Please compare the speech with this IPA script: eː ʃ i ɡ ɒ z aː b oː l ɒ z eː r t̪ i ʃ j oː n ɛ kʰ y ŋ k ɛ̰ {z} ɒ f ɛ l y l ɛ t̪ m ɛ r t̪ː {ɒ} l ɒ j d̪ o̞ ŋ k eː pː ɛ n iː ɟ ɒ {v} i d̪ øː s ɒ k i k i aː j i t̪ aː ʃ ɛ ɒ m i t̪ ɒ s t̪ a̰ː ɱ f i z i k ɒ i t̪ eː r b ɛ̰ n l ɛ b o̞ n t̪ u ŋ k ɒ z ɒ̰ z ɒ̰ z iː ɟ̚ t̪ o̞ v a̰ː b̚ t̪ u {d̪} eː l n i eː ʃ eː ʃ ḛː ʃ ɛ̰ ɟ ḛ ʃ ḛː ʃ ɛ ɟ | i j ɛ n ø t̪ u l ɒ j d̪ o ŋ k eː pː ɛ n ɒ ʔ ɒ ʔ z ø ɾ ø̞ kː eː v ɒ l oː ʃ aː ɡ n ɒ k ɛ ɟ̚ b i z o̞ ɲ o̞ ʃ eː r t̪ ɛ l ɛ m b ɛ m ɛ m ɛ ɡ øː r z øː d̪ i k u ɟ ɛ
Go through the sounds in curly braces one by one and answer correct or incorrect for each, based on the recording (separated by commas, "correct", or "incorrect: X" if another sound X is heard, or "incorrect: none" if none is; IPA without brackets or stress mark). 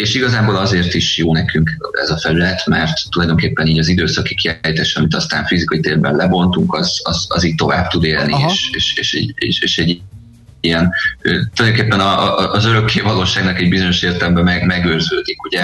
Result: correct, incorrect: u, incorrect: z, correct